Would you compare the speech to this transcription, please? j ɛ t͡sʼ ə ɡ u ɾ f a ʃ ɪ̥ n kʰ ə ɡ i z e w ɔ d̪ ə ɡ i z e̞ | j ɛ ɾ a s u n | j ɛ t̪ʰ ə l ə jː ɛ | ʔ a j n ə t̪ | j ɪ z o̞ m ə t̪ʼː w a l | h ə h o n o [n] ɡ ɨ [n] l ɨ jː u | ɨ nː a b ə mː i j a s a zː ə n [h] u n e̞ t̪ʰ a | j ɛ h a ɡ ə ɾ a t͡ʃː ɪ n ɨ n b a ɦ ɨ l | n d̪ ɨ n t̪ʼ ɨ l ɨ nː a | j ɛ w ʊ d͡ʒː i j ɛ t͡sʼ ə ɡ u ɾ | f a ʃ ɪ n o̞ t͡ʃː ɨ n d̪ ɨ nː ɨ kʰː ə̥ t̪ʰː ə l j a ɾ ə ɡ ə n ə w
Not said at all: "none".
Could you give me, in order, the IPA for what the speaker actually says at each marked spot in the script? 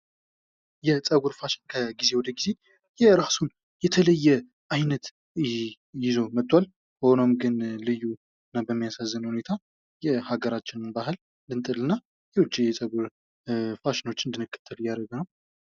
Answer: m, n, h

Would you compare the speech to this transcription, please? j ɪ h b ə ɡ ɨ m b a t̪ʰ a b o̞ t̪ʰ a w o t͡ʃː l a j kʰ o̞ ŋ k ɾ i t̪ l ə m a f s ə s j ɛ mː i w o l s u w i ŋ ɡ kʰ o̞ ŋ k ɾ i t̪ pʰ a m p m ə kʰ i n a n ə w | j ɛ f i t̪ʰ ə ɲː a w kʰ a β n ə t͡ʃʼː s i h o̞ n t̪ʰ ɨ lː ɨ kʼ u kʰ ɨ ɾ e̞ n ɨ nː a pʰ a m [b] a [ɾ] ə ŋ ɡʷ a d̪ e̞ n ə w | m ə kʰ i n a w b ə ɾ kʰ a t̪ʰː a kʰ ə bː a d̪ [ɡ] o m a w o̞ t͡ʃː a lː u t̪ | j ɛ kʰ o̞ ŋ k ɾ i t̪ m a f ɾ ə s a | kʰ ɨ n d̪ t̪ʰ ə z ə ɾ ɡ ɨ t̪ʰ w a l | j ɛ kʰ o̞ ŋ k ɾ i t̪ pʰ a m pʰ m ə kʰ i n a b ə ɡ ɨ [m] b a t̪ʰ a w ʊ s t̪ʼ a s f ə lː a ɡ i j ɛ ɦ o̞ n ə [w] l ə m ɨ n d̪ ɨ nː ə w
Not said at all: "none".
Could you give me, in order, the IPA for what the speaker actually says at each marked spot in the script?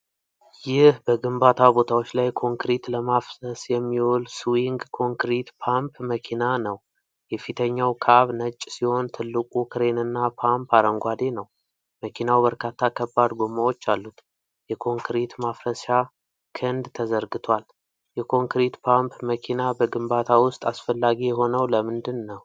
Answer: p, ɾ, ɡ, m, w

